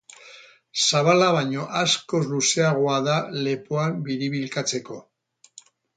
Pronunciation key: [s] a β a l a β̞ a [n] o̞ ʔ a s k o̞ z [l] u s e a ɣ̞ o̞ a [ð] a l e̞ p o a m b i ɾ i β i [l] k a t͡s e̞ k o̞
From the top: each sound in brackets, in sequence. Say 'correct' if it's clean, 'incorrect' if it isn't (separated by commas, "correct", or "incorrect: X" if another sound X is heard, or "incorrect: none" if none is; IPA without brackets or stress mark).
correct, incorrect: ɲ, correct, correct, correct